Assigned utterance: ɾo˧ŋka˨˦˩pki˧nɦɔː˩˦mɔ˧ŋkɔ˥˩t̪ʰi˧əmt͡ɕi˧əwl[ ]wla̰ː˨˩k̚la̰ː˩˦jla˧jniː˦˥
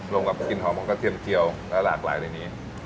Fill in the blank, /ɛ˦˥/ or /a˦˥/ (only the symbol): ɛ˦˥